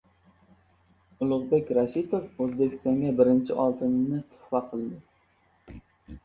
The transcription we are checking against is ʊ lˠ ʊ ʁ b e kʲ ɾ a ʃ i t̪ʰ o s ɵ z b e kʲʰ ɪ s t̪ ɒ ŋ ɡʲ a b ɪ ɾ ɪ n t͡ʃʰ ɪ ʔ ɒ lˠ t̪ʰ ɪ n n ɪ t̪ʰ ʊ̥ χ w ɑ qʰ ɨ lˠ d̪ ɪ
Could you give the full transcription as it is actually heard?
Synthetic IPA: ʊ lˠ ʊ ʁ b e kʲ ɾ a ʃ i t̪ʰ o f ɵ z b e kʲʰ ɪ s t̪ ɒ ŋ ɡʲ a b ɪ ɾ ɪ n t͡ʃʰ ɪ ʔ ɒ lˠ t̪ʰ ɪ n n ɪ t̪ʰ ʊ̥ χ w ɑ qʰ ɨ lˠ d̪ ɪ